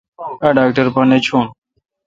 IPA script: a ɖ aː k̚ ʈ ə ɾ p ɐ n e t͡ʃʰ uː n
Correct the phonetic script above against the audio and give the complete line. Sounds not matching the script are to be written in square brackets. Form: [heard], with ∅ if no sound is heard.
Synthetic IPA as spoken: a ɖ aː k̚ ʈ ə ɾ p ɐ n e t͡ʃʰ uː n